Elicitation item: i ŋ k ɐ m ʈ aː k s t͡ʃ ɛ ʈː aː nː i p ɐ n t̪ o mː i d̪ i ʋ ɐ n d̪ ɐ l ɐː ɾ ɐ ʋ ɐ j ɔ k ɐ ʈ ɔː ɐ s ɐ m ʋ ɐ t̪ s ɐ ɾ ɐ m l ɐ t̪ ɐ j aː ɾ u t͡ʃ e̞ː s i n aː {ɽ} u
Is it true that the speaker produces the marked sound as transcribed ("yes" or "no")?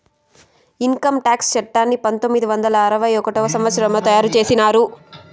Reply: no